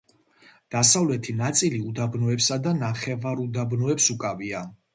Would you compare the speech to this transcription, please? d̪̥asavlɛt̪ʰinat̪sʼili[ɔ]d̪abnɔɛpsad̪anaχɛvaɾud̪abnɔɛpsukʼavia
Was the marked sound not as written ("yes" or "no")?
yes